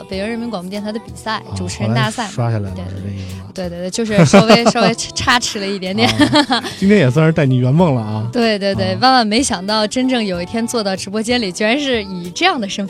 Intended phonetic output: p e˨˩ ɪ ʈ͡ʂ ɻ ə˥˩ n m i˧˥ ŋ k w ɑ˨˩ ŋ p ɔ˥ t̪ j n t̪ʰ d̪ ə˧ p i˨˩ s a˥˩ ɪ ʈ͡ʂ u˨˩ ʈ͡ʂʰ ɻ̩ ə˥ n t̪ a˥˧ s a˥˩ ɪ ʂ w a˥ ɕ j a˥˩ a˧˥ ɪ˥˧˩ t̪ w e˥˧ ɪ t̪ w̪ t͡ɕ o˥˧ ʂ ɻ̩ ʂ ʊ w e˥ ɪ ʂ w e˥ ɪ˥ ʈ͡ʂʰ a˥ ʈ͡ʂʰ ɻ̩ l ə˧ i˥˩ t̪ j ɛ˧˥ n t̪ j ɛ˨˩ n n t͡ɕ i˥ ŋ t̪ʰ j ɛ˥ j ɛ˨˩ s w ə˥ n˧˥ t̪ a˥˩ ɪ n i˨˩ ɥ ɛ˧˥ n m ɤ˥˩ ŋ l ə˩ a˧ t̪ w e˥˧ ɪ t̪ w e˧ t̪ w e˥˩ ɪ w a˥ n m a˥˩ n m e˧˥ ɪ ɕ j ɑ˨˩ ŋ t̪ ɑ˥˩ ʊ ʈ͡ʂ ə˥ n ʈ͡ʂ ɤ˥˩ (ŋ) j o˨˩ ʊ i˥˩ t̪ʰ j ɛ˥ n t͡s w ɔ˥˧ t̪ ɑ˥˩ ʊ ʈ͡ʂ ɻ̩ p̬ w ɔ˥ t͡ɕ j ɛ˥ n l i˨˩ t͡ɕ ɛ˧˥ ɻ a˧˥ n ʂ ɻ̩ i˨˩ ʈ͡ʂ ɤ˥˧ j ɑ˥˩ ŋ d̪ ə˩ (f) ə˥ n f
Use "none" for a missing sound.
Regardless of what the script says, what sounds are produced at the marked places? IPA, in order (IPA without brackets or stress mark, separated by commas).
ŋ, ʂ